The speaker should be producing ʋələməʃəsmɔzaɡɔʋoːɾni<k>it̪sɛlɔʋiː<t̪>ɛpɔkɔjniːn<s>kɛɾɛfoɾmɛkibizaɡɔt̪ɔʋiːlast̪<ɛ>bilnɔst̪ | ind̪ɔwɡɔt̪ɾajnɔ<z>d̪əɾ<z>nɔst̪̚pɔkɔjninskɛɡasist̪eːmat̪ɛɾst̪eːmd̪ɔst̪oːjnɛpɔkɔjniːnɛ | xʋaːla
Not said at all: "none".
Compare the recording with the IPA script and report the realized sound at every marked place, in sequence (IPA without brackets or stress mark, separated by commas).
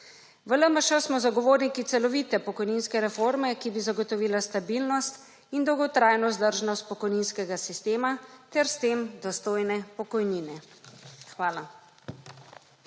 k, t̪, s, a, z, ʒ